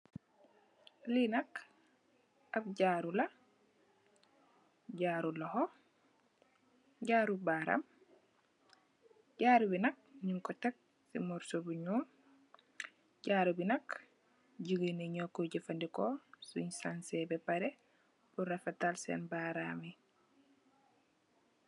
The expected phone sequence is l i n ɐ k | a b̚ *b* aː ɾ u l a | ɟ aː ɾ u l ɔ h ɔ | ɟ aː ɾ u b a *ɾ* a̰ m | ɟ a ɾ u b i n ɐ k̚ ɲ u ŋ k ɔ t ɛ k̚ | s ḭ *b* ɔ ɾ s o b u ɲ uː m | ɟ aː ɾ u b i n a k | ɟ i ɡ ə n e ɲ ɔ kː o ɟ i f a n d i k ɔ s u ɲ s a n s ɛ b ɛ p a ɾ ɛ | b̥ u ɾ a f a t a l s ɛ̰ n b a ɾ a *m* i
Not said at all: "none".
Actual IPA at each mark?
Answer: ɟ, ɾ, m, m

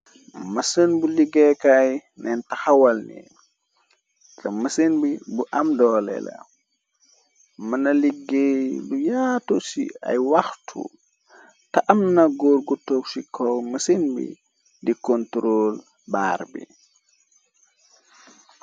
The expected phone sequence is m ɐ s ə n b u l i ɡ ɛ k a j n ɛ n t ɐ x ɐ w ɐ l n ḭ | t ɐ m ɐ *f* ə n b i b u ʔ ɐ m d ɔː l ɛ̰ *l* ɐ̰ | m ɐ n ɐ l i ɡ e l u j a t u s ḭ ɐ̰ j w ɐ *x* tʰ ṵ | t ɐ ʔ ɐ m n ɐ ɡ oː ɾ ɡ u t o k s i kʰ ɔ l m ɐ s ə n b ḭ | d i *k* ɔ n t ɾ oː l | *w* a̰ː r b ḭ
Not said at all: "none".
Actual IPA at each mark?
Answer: s, l, x, k, b

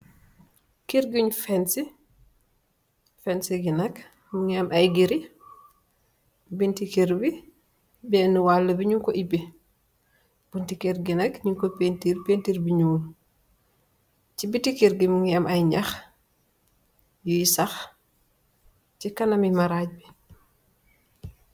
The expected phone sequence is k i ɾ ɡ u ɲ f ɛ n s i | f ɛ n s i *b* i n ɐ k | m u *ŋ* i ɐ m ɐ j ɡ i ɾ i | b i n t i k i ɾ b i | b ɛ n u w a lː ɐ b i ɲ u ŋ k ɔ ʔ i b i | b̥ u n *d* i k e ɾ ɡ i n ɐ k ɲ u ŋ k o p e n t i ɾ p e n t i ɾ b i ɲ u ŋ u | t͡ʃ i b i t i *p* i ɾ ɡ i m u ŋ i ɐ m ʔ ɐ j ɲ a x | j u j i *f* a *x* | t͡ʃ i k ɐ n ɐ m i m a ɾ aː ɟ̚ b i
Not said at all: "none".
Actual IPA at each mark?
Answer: ɡ, ŋ, t, k, s, x

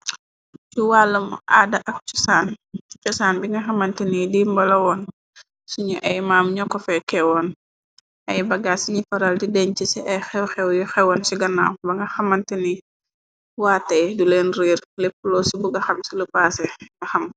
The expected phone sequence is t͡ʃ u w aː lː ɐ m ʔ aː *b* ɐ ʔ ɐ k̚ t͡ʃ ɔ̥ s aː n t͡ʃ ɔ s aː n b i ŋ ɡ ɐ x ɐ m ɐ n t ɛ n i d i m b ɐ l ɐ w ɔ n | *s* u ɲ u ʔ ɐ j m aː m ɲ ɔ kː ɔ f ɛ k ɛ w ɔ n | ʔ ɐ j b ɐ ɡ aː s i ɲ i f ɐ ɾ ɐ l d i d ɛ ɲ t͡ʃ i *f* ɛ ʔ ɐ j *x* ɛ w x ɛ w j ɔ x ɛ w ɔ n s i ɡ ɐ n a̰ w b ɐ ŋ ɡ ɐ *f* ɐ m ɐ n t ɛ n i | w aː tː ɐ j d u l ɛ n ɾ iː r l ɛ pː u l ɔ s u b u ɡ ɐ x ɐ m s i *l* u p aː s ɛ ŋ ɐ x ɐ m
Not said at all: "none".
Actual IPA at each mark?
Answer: d, s, s, x, x, l

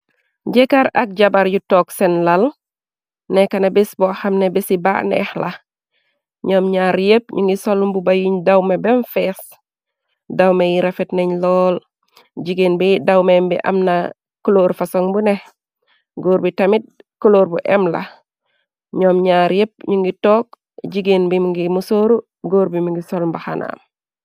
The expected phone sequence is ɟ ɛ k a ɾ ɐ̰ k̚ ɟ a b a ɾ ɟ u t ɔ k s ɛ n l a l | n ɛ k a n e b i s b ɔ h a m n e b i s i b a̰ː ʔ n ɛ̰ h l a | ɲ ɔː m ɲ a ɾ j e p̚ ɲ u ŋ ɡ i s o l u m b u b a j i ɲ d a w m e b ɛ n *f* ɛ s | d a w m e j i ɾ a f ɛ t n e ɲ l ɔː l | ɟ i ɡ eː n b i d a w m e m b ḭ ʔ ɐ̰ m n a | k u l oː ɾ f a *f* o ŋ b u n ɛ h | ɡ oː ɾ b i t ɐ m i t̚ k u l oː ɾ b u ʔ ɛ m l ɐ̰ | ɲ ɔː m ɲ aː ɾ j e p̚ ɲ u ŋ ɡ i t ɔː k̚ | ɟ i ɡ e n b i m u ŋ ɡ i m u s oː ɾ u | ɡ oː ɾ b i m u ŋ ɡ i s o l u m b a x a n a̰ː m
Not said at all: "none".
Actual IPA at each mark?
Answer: f, s

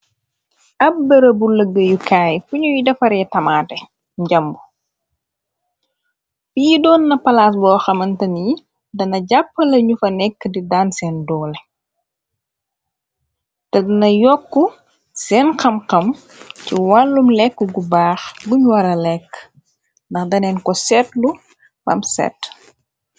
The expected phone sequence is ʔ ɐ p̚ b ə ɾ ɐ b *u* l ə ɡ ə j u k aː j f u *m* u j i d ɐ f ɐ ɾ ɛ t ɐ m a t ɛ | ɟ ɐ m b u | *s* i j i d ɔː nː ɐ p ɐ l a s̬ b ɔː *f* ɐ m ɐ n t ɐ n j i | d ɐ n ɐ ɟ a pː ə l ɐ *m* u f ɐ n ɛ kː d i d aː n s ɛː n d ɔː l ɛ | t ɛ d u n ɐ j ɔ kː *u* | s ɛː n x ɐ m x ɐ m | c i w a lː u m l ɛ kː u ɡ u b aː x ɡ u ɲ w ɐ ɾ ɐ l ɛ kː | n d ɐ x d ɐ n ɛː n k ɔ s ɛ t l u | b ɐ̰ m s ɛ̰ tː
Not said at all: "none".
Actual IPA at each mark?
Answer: u, ɲ, f, x, ɲ, u

